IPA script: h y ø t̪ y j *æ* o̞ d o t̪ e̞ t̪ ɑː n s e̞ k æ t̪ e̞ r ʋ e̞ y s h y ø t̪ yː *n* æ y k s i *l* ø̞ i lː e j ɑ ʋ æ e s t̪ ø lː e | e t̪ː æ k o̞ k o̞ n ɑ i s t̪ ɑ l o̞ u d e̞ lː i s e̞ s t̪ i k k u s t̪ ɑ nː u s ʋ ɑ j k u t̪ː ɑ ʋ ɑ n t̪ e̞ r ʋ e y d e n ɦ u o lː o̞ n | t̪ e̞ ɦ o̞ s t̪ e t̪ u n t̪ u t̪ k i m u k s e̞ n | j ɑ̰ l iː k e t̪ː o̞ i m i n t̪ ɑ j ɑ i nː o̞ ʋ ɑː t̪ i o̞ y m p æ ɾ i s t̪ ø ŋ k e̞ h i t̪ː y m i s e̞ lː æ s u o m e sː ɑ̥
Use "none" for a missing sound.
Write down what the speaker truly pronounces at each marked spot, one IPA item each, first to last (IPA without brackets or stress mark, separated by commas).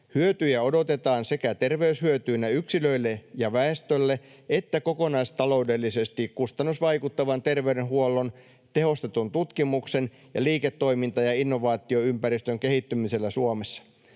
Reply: æ, n, l